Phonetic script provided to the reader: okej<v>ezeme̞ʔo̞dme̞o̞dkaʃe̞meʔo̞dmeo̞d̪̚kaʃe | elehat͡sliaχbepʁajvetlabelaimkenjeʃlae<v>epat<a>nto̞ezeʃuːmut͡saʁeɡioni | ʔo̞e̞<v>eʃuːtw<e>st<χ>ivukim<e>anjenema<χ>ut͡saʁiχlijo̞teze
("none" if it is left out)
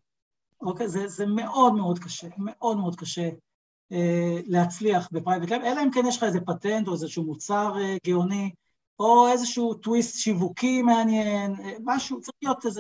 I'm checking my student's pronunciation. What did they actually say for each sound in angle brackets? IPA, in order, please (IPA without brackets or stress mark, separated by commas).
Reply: z, z, e, z, i, ʃ, e, ʃ